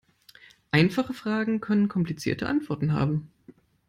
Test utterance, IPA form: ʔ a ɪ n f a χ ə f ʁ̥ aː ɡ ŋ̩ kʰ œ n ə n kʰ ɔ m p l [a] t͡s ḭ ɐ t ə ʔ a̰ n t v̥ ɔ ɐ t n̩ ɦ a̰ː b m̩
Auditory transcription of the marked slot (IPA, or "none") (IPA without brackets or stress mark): i